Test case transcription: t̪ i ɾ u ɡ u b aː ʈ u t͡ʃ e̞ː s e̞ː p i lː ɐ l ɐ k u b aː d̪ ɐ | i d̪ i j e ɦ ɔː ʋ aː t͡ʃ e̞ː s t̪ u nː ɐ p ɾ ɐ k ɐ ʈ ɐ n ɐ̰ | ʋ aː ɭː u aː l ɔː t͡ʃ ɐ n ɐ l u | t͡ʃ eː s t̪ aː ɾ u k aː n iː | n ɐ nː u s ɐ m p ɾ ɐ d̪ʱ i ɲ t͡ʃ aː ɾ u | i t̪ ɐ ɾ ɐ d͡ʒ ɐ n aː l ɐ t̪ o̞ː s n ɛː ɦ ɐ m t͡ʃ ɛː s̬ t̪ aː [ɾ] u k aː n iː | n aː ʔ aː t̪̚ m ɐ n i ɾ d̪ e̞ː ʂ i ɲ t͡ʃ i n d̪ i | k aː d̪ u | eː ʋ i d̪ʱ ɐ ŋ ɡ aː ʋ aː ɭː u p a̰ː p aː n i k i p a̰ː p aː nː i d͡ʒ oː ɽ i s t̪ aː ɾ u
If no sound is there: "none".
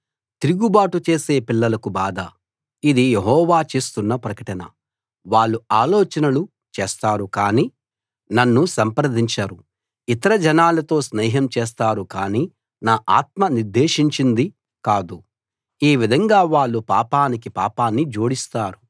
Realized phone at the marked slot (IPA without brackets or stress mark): ɾ